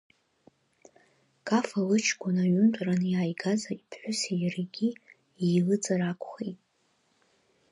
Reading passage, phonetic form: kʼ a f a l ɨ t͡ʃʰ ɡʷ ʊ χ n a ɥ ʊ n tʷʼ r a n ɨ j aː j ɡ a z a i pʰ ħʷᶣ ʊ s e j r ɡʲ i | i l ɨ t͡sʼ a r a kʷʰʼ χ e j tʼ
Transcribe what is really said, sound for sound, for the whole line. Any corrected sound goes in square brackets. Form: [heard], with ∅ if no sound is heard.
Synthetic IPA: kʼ a f a l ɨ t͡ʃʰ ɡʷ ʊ [∅] n a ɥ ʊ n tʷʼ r a n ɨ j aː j ɡ a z a i pʰ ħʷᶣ ʊ s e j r ɡʲ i | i l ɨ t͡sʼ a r a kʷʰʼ χ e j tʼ